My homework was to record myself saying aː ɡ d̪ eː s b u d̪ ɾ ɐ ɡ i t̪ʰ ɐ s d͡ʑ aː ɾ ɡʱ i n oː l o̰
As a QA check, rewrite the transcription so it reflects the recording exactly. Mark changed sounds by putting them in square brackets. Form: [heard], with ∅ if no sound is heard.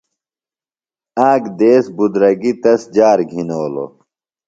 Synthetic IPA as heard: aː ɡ d̪ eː s b u d̪ ɾ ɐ ɡ i [t̪] ɐ s d͡ʑ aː ɾ ɡʱ i n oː l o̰